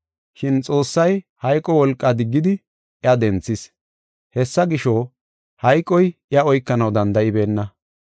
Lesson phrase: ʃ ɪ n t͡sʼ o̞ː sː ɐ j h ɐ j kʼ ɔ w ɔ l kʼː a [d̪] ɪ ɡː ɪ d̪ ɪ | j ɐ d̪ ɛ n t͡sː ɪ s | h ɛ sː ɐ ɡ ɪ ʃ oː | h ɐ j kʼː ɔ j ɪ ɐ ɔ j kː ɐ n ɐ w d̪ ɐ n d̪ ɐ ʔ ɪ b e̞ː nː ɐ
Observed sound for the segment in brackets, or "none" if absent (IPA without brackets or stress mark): d̪